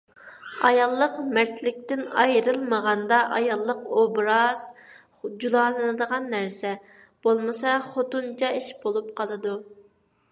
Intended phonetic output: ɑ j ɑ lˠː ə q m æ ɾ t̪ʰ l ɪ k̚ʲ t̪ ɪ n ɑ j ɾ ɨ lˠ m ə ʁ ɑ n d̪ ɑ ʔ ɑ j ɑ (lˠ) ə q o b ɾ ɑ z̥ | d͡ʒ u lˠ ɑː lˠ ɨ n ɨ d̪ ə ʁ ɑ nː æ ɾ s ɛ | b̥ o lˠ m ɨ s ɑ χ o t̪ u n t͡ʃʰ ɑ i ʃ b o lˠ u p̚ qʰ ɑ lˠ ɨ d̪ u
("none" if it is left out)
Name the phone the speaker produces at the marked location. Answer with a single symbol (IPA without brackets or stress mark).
lˠː